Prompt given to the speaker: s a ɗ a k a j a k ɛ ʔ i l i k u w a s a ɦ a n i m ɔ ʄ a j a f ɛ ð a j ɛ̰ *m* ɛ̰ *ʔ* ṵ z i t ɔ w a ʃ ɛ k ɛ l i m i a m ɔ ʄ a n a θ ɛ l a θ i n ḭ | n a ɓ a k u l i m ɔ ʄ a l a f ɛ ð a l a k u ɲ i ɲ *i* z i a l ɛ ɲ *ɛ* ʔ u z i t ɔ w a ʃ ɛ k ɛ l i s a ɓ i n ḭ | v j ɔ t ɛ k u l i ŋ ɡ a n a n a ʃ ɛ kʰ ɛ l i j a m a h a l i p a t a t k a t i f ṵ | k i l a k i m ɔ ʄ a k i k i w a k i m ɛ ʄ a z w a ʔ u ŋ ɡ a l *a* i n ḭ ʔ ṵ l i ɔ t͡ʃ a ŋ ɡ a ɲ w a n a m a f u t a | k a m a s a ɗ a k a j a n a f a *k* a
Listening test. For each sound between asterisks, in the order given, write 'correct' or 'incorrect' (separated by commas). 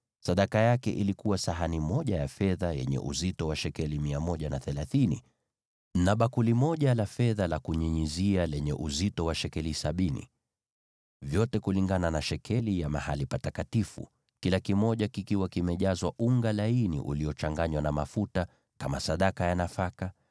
incorrect, correct, correct, correct, correct, correct